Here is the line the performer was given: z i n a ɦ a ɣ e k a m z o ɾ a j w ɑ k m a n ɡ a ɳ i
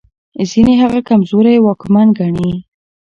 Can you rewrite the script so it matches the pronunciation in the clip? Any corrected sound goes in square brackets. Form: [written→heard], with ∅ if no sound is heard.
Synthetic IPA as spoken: z i n [a→e] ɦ a ɣ [e→a] k a m z o ɾ a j w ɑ k m a n ɡ a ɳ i

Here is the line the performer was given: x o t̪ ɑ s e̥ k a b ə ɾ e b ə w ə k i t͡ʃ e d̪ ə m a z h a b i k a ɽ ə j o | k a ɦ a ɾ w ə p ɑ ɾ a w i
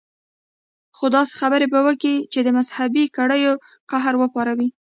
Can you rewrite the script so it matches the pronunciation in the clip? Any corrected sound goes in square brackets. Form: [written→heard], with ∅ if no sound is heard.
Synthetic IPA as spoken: x o [t̪→d̪] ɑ s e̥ [k→x] a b ə ɾ e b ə w ə k i t͡ʃ e d̪ ə m a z h a b i k a ɽ ə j o | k a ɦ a ɾ w ə p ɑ ɾ a w i

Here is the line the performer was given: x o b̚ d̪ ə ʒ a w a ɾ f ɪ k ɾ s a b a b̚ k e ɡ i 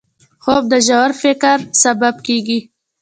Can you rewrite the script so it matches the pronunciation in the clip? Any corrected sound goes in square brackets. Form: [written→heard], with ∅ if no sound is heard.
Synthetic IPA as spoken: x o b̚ d̪ ə ʒ a w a ɾ f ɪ k ɾ s a b a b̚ k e ɡ i

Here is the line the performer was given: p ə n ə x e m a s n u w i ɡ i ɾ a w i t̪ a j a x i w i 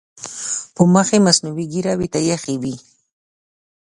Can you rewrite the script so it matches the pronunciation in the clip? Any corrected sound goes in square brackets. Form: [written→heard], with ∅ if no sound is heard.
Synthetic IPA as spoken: p ə [n→m] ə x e m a s n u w i ɡ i ɾ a w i t̪ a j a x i w i

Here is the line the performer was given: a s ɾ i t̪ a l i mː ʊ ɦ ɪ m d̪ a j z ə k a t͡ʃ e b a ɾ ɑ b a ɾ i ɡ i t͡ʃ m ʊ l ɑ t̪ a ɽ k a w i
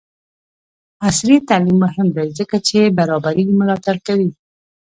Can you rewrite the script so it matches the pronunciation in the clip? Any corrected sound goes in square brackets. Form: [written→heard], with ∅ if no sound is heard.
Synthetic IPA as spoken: a s ɾ i t̪ a l i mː ʊ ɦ ɪ m d̪ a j z ə k a t͡ʃ e b a ɾ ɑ b a ɾ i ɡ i [t͡ʃ→∅] m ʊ l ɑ t̪ a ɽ k a w i

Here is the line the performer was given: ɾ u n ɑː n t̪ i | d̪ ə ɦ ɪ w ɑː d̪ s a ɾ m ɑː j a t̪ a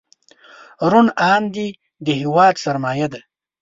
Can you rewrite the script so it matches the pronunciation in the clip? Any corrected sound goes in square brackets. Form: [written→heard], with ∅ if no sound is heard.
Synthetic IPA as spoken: ɾ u n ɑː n [t̪→d̪] i | d̪ ə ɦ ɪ w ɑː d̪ s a ɾ m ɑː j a [t̪→d̪] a

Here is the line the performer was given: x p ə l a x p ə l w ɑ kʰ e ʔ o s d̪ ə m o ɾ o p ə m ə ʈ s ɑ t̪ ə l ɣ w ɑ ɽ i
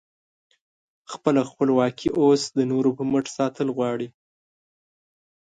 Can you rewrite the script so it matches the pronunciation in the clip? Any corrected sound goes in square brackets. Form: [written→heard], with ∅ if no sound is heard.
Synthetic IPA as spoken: x p ə l a x p ə l w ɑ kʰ [e→i] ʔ o s d̪ ə [m→n] o ɾ o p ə m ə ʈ s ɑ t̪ ə l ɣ w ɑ ɽ i

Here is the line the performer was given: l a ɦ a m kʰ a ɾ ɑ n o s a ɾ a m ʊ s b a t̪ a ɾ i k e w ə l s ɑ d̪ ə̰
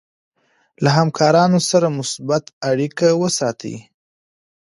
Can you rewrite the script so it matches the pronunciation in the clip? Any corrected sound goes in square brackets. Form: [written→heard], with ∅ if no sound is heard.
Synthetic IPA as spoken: l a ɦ a m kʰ [a→ɑ] ɾ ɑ n o s a ɾ a m ʊ s b a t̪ a [ɾ→ɽ] i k [e→a] w ə [l→∅] s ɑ [d̪→t̪] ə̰

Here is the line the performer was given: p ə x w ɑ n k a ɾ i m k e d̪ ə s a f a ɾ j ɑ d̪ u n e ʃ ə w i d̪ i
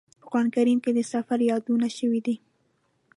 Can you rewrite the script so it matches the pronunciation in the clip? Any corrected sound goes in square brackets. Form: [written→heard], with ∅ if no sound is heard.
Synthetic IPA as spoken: p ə x w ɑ n k a ɾ i m k e d̪ ə s a f a ɾ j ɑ d̪ u n [e→a] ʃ ə w i d̪ i

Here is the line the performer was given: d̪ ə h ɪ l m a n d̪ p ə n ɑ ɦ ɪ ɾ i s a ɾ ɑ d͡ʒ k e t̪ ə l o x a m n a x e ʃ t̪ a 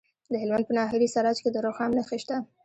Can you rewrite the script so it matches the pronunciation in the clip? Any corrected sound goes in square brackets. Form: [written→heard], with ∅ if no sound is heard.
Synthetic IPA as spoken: d̪ ə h ɪ l m a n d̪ p ə n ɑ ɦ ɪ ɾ i s a ɾ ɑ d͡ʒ k e [t̪→d̪] ə [l→ɾ] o x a m n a x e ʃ t̪ a

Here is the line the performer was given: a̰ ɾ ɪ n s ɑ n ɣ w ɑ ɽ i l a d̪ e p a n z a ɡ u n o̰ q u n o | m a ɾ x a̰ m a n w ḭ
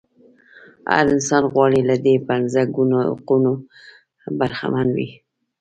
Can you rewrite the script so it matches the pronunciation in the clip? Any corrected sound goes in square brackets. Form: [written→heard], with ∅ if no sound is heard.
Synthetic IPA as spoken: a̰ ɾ ɪ n s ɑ n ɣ w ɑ ɽ i l a d̪ e p a n z a ɡ u n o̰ q u n o | [m→b] a ɾ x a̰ m a n w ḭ

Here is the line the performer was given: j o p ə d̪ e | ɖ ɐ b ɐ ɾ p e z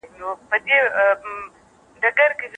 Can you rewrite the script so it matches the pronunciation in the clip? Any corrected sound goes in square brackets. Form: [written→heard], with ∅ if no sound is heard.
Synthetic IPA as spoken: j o p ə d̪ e | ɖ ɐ [b→ɡ] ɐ ɾ [p→k] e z

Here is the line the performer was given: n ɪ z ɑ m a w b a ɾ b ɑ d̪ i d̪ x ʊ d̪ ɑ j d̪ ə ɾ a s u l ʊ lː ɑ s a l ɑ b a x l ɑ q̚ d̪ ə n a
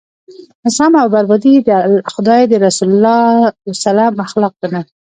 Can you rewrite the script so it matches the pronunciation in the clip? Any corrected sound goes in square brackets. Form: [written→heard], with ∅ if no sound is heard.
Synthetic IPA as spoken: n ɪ [z→s] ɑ m a w b a ɾ b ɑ d̪ i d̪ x ʊ d̪ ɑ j d̪ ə ɾ a s u l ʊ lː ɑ s a l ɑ [b→m] a x l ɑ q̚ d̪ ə n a

